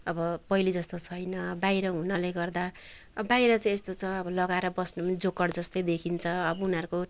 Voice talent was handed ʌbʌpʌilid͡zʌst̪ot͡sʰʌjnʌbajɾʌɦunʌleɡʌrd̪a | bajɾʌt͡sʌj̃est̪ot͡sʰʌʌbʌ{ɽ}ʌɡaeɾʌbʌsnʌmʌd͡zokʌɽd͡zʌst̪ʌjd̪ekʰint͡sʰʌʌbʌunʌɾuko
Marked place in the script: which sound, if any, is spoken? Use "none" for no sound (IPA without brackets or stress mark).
l